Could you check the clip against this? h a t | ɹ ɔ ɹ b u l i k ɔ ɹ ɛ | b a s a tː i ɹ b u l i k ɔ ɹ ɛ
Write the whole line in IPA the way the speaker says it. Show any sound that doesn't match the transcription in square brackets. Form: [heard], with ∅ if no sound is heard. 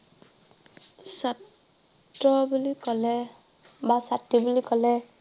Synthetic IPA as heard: [s] a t | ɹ ɔ [∅] b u l i k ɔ [l] ɛ | b a s a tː i [∅] b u l i k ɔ [l] ɛ